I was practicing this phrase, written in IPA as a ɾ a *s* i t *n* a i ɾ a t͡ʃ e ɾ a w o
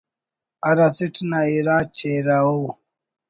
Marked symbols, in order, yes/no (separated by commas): yes, yes